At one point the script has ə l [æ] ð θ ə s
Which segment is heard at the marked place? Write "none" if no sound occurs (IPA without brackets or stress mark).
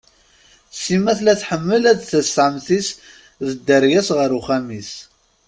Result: æ